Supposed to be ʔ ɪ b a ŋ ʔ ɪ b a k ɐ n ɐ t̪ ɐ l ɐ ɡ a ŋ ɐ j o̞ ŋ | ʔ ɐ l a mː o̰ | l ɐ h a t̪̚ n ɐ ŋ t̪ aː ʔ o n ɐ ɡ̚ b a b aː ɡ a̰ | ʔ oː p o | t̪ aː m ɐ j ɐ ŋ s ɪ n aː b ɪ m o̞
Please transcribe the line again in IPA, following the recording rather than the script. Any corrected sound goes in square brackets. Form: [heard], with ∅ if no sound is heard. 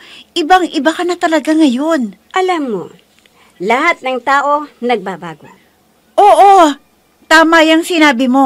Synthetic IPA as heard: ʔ ɪ b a ŋ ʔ ɪ b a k ɐ n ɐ t̪ ɐ l ɐ ɡ a ŋ ɐ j o̞ [n] | ʔ ɐ l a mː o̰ | l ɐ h a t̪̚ n ɐ ŋ t̪ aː ʔ o n ɐ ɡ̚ b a b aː ɡ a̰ | ʔ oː [ʔ] o | t̪ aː m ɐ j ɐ ŋ s ɪ n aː b ɪ m o̞

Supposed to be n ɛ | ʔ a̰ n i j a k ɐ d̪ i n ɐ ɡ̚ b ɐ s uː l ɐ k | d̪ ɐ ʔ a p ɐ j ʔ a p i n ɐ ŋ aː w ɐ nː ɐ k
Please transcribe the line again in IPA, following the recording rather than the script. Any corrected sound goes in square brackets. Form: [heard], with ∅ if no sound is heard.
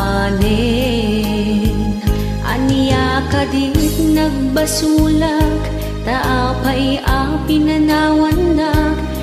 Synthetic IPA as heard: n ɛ | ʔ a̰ n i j a k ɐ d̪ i n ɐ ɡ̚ b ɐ s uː l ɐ k | [t̪] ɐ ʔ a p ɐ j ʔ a p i n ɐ [n] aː w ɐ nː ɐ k

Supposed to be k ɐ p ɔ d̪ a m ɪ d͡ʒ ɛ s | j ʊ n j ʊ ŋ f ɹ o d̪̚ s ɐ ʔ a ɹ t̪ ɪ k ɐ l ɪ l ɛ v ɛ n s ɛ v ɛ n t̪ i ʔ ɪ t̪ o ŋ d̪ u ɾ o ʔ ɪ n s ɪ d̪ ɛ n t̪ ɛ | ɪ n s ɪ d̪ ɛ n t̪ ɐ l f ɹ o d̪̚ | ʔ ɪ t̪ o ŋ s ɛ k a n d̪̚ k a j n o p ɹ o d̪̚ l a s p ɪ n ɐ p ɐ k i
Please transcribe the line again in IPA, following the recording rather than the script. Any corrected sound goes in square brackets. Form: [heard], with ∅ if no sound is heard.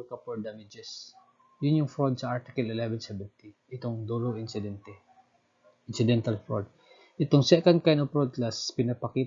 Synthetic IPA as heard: k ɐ p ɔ d̪ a m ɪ d͡ʒ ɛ s | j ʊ n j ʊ ŋ f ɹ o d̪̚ s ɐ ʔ a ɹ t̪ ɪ k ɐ l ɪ l ɛ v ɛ n s ɛ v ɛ n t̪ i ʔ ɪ t̪ o ŋ d̪ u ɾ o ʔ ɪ n s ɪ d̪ ɛ n t̪ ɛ | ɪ n s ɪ d̪ ɛ n t̪ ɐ l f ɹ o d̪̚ | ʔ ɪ t̪ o ŋ s ɛ k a n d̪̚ k a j n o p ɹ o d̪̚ l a s p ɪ n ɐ p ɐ k i

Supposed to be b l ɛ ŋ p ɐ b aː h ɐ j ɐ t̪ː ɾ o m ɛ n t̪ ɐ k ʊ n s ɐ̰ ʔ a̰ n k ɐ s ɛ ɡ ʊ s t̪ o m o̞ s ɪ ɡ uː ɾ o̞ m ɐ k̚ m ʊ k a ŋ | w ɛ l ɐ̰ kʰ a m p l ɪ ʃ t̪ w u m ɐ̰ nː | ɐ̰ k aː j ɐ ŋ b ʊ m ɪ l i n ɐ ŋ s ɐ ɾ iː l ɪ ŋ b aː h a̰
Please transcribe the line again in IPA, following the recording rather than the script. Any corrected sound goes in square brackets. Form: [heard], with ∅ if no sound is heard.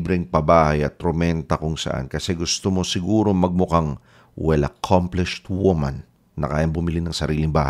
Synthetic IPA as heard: b [ɾ] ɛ ŋ p ɐ b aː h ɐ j ɐ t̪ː ɾ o m ɛ n t̪ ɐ k ʊ [ŋ] s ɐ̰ ʔ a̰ n k ɐ s ɛ ɡ ʊ s t̪ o m o̞ s ɪ ɡ uː ɾ o̞ m ɐ [ɡ̚] m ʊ k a ŋ | w ɛ l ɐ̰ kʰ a m p l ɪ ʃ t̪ w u m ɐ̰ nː | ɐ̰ k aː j ɐ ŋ b ʊ m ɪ l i n ɐ ŋ s ɐ ɾ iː l ɪ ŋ b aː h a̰

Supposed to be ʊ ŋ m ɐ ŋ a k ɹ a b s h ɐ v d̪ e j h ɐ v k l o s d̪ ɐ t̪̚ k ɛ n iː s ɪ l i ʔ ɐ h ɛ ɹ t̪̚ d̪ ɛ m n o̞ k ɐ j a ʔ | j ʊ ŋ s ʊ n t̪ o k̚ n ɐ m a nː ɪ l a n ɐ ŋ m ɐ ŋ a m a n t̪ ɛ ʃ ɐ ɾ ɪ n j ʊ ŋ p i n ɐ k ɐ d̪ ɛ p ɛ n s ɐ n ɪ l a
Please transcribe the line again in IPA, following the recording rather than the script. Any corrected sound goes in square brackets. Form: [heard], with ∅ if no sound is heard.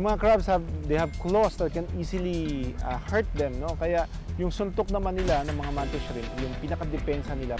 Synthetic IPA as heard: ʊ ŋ m ɐ ŋ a k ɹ a b s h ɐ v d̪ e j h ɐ v k l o s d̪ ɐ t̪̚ k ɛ n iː s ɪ l i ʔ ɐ h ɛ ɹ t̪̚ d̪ ɛ m n o̞ k ɐ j a ʔ | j ʊ ŋ s ʊ n t̪ o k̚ n ɐ m a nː ɪ l a n ɐ ŋ m ɐ ŋ a m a n t̪ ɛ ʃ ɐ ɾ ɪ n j ʊ ŋ p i n ɐ k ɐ d̪ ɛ p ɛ n s ɐ n ɪ l a

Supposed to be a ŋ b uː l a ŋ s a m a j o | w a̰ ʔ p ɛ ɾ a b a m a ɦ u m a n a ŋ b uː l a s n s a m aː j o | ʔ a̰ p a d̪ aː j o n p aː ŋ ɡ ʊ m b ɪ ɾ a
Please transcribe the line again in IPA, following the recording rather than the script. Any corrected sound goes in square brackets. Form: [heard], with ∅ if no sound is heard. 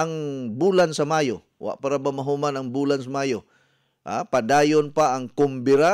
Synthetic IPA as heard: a ŋ b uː l a [n] s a m a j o | w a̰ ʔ p [a] ɾ a b a m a ɦ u m a n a ŋ b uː l a [∅] n s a m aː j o | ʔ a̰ p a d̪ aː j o n p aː ŋ [k] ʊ m b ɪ ɾ a

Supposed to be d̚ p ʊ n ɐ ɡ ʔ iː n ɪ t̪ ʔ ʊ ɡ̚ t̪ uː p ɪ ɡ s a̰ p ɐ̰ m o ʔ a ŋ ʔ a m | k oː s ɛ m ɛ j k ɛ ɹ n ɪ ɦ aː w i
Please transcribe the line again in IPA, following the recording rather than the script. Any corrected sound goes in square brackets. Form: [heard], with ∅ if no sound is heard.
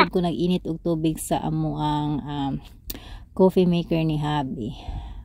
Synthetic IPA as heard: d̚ [k] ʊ n ɐ ɡ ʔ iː n ɪ t̪ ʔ ʊ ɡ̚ t̪ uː [b] ɪ ɡ s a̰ [ʔ] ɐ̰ m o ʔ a ŋ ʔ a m | k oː [f] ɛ m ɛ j k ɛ ɹ n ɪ ɦ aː [b] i

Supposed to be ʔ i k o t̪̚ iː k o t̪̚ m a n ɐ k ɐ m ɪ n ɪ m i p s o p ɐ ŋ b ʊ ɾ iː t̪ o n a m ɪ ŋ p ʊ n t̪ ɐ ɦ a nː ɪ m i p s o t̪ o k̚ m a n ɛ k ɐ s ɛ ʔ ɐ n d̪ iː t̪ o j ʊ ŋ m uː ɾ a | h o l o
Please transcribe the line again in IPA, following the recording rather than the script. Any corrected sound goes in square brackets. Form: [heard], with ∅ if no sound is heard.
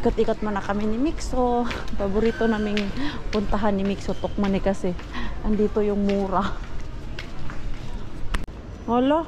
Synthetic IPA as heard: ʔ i k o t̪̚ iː k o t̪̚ m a n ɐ k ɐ m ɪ n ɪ m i [k] s o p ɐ [∅] b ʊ ɾ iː t̪ o n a m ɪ ŋ p ʊ n t̪ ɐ ɦ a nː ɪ m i [k] s o t̪ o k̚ m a n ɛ k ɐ s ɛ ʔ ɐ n d̪ iː t̪ o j ʊ ŋ m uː ɾ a | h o l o

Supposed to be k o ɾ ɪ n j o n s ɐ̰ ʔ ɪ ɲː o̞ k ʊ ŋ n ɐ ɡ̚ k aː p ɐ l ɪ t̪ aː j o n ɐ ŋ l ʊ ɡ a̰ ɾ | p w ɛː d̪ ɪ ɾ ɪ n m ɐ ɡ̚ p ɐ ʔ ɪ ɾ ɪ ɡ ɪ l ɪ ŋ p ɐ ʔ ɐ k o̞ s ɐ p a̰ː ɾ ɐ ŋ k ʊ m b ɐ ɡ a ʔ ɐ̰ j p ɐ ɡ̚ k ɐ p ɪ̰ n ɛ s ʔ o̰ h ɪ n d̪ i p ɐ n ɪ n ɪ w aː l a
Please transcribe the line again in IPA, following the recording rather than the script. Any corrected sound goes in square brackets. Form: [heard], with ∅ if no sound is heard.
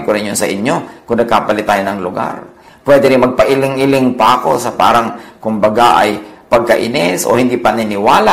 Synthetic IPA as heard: k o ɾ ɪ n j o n s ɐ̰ ʔ ɪ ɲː o̞ k ʊ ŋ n ɐ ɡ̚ k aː p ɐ l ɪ t̪ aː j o n ɐ ŋ l ʊ ɡ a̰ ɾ | p w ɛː d̪ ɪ ɾ ɪ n m ɐ ɡ̚ p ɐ ʔ ɪ [l] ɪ [ŋ] ɪ l ɪ ŋ p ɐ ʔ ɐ k o̞ s ɐ p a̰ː ɾ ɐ ŋ k ʊ m b ɐ ɡ a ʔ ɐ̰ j p ɐ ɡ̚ k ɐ [ʔ] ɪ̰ n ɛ s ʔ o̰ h ɪ n d̪ i p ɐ n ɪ n ɪ w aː l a

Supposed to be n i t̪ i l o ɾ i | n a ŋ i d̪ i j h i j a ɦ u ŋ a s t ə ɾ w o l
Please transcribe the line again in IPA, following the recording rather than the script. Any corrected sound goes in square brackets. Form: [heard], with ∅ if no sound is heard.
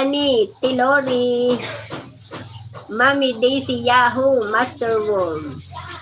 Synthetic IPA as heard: n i t̪ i l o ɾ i | [m] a [m] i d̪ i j [s] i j a ɦ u [m] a s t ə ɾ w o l

